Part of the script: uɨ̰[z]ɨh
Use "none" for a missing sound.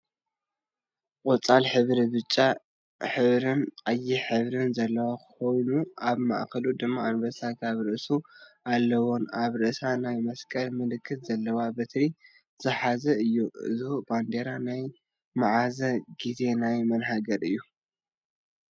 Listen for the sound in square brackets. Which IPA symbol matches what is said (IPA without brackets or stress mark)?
z